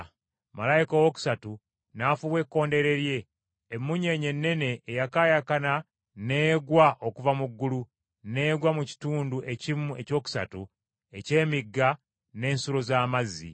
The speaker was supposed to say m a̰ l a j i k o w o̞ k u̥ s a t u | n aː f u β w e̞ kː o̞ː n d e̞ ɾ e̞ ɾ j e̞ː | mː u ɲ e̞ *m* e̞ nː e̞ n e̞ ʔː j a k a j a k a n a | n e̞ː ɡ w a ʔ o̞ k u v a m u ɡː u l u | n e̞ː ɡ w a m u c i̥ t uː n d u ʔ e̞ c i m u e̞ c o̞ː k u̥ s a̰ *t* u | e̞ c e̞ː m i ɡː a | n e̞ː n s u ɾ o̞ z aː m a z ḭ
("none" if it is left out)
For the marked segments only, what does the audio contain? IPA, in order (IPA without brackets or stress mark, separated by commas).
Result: ɲ, t